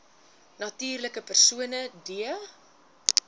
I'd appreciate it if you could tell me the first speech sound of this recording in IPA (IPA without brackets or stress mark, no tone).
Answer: n